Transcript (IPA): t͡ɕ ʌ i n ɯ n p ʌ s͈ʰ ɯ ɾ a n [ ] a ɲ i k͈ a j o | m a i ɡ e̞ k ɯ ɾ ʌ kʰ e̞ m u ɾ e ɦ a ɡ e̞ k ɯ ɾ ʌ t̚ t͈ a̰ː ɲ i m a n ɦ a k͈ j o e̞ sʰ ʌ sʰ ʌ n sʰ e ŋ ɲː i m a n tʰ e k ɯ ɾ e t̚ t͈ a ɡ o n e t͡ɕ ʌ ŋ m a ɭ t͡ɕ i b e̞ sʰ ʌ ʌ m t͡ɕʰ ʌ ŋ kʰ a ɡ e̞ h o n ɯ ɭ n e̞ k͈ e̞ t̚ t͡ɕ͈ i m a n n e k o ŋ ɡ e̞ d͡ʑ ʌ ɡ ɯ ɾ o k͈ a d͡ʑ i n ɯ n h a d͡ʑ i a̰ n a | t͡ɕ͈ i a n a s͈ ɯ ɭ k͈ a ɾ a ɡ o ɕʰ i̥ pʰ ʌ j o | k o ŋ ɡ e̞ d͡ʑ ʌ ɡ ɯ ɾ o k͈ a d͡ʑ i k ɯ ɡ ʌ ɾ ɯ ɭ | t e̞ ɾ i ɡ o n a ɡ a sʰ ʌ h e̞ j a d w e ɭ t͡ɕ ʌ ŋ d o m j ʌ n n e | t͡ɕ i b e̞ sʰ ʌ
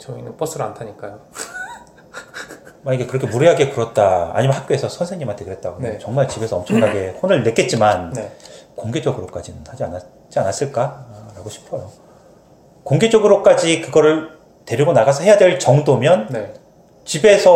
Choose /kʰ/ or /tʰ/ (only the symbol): tʰ